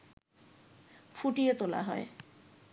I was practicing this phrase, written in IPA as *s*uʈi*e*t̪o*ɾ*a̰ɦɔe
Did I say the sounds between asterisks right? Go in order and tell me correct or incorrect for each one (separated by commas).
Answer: incorrect, correct, incorrect